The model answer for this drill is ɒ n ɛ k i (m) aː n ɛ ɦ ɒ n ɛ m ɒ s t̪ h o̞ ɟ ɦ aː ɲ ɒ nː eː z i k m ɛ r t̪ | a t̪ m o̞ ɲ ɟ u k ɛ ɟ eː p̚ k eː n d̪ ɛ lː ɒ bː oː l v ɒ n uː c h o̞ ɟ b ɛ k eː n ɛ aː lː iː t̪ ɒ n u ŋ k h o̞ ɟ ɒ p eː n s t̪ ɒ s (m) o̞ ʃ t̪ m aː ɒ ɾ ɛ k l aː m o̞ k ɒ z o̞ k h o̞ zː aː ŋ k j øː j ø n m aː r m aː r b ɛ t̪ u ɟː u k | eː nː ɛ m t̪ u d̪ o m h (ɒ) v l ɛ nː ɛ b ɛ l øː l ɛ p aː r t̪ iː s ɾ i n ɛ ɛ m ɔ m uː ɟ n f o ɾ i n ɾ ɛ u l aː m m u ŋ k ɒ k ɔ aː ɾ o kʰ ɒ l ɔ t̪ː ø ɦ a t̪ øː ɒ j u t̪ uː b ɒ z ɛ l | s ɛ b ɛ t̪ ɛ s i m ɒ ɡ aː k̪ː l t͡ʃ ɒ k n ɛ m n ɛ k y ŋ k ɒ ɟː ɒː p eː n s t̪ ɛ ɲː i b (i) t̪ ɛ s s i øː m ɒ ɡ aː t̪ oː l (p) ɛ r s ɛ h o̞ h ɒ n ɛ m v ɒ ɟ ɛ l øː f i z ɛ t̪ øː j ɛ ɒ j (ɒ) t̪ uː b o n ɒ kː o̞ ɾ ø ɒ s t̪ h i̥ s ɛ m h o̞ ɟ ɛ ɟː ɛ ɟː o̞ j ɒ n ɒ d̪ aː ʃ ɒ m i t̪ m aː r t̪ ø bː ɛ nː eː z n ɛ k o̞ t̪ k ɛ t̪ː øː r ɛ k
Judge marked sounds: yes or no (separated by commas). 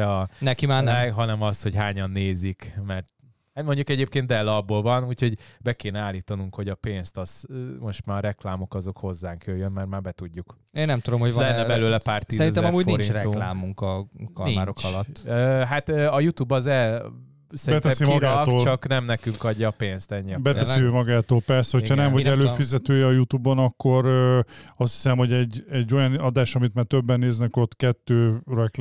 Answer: yes, yes, no, no, yes, no